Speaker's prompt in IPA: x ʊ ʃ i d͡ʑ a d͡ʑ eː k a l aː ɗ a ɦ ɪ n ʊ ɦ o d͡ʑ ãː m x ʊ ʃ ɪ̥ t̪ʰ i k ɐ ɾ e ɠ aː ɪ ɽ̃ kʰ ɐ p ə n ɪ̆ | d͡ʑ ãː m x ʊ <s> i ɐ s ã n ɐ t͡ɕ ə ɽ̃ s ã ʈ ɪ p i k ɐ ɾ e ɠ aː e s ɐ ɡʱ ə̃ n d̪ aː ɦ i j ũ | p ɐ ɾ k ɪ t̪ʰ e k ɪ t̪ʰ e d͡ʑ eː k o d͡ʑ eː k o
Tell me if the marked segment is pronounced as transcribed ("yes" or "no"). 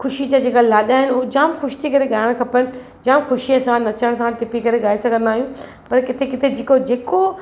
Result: no